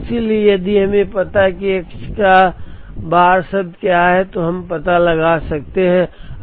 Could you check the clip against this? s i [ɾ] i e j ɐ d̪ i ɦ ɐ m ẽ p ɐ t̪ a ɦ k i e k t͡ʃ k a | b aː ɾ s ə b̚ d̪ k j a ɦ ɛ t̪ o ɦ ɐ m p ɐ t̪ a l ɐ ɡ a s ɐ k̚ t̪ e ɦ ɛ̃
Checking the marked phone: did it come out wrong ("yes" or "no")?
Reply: yes